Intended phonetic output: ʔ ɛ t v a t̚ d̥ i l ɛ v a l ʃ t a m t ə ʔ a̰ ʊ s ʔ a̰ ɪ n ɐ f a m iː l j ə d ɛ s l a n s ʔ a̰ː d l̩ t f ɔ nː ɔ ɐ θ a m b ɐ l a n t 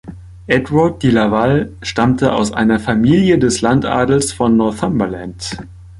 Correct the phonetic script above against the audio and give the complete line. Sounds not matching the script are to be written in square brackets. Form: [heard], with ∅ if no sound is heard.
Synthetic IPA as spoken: ʔ ɛ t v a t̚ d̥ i l [a] v a l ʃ t a m t ə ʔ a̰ ʊ s ʔ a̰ ɪ n ɐ f a m iː l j ə d ɛ s l a n [t] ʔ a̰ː d l̩ [s] f ɔ nː ɔ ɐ θ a m b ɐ l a n t